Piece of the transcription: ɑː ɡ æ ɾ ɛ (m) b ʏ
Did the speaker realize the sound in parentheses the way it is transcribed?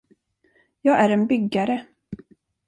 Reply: no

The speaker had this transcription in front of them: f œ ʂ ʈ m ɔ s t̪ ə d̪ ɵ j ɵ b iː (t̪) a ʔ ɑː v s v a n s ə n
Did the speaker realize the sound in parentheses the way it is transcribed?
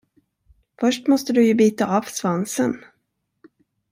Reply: yes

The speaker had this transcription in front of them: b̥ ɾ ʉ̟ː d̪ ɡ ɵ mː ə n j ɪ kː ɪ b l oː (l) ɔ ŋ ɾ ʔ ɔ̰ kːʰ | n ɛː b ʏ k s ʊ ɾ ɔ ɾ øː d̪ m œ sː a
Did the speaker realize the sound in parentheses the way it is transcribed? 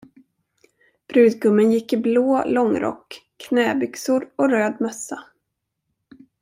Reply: yes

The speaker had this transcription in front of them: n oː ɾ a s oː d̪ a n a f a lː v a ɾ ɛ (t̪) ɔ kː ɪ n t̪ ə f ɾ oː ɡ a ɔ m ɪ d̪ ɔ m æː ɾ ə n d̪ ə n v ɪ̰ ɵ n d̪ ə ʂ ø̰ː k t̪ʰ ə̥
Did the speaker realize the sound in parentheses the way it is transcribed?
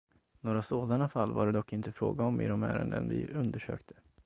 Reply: no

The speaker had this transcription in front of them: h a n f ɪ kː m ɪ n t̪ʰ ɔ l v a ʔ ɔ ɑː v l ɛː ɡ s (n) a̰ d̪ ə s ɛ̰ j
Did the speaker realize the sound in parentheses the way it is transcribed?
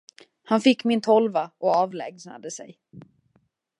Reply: yes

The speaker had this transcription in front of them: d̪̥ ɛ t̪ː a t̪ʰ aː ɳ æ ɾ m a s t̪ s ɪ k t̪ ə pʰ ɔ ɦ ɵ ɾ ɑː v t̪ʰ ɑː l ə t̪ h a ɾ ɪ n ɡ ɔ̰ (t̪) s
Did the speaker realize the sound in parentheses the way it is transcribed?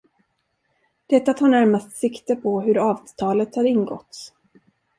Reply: yes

